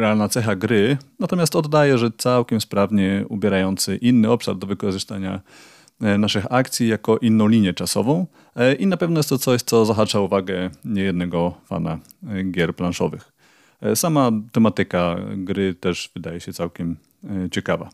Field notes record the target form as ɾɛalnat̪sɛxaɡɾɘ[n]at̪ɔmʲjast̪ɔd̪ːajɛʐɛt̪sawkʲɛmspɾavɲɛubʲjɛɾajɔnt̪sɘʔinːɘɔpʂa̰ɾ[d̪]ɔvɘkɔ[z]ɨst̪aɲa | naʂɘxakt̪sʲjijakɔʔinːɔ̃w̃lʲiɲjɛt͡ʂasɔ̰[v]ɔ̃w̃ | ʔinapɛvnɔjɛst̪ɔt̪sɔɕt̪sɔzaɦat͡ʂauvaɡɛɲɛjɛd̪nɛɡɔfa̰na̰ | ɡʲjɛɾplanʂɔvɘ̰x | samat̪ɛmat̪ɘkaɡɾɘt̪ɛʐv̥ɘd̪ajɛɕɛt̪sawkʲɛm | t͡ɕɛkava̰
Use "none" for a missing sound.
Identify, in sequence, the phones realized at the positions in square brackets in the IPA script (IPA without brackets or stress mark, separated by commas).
n, d̪, ʐ, v